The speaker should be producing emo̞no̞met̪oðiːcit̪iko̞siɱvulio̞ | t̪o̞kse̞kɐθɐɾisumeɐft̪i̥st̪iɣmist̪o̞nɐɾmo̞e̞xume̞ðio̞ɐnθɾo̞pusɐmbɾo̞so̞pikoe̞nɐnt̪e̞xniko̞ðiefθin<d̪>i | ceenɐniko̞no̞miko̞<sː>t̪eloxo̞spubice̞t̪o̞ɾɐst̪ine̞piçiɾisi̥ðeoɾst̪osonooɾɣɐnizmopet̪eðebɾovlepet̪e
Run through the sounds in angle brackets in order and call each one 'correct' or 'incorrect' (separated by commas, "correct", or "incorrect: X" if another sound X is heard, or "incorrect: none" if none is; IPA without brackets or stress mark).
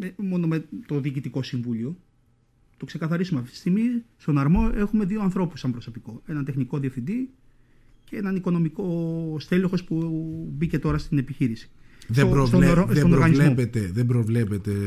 correct, incorrect: s